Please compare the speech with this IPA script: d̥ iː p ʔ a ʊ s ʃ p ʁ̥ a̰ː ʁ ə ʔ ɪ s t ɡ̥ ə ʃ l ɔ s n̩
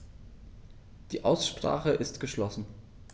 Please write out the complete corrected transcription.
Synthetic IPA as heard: d̥ iː ʔ a ʊ s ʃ p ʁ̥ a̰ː χ ə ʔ ɪ s t ɡ̥ ə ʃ l ɔ s n̩